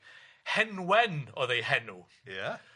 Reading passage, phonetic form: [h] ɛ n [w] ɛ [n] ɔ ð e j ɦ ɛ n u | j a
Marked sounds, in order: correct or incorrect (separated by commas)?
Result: correct, correct, correct